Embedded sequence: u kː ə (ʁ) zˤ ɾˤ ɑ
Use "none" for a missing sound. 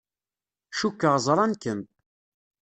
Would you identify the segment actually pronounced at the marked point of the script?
ʁ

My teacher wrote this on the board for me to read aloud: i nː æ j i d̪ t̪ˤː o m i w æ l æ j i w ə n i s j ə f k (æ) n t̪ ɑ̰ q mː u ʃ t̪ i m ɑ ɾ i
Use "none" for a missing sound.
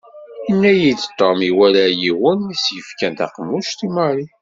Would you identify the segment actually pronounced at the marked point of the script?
æ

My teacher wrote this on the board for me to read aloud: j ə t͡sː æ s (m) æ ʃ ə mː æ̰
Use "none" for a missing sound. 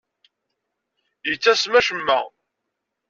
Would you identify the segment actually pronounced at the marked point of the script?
m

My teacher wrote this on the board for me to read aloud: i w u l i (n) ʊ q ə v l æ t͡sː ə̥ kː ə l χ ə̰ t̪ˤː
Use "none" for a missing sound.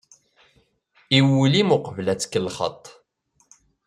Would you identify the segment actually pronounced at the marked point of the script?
m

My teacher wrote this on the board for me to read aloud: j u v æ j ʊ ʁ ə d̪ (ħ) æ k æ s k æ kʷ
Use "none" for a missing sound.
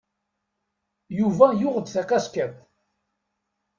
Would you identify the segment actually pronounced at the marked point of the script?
θ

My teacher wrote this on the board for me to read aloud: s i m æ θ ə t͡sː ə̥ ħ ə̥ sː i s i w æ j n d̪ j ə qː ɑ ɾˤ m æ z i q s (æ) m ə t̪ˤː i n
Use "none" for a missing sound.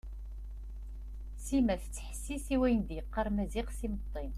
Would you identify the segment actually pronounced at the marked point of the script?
i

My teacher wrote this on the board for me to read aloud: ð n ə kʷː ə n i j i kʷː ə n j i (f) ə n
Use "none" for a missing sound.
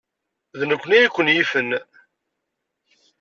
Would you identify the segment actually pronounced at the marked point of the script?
f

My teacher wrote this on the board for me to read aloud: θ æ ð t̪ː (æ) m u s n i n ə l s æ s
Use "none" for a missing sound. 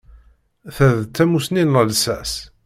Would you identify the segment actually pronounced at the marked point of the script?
æ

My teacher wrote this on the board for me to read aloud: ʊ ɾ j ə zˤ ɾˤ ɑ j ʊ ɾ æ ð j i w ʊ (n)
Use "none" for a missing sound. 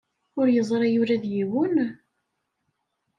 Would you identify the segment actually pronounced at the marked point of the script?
n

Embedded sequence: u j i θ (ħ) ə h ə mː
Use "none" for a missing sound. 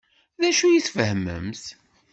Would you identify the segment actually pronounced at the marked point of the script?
f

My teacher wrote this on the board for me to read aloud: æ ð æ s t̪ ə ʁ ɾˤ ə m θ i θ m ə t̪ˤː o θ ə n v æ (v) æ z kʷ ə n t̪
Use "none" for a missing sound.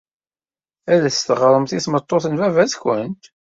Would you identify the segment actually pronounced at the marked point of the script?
v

